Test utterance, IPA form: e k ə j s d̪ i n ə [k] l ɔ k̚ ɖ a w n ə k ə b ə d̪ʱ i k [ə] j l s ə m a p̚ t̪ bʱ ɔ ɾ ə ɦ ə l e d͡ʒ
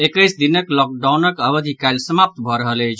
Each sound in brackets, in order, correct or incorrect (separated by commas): correct, incorrect